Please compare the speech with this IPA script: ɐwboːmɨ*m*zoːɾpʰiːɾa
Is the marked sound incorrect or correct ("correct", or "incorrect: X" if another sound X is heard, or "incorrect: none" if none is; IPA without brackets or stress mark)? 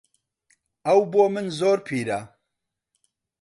incorrect: n